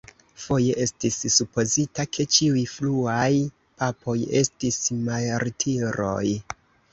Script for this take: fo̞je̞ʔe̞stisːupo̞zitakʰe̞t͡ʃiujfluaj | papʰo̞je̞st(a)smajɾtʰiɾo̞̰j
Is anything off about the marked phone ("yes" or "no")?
yes